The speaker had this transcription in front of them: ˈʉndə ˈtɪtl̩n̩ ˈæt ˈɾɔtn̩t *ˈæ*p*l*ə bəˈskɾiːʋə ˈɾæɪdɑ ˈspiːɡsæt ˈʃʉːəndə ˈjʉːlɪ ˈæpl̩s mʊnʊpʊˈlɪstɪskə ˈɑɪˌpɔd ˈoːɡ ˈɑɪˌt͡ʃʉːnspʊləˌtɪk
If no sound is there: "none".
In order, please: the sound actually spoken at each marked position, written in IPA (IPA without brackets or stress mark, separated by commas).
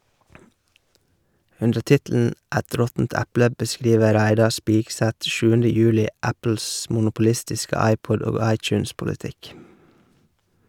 æ, l